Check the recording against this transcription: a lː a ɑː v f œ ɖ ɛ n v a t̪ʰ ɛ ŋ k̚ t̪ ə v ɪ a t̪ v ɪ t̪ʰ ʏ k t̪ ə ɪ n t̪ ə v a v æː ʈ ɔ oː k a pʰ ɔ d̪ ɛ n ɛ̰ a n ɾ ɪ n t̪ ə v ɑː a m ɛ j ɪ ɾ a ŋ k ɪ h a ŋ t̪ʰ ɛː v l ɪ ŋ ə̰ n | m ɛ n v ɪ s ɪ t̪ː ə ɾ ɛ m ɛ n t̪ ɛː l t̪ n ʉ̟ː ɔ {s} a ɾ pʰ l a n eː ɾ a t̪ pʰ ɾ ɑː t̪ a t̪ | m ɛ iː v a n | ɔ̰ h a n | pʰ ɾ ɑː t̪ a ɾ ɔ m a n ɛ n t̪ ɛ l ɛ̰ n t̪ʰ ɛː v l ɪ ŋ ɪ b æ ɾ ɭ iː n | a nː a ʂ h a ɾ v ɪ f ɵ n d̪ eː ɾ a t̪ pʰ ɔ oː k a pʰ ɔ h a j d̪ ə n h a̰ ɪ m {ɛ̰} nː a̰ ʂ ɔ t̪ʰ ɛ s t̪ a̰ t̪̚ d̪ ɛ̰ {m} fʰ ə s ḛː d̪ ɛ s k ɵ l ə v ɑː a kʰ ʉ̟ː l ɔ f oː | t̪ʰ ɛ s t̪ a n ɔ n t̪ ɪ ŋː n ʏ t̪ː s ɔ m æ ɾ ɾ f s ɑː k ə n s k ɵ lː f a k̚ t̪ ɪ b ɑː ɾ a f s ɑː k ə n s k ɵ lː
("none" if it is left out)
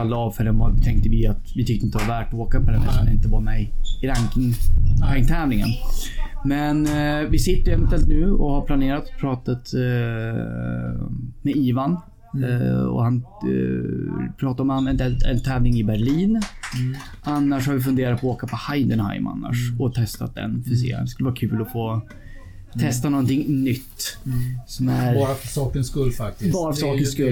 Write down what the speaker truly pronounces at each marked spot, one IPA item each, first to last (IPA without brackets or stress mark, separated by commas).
h, a̰, n